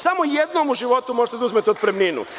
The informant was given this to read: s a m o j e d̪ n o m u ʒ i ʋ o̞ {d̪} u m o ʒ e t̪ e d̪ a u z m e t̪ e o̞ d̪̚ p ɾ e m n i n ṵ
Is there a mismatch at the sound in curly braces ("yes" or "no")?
yes